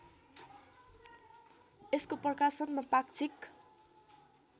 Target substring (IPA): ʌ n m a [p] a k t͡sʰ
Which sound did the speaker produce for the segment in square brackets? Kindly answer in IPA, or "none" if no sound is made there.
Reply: p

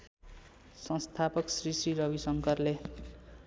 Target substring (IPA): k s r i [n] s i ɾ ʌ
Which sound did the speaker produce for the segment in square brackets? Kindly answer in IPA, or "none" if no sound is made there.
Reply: none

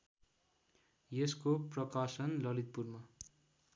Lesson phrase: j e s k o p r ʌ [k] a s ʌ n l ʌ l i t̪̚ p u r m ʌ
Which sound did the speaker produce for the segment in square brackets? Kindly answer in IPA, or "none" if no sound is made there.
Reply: k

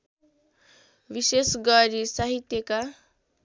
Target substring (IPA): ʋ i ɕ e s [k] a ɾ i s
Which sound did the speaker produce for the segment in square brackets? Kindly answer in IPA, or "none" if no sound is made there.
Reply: ɡ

